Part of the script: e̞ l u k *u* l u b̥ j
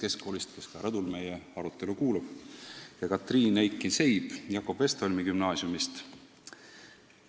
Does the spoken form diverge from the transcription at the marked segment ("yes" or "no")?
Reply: yes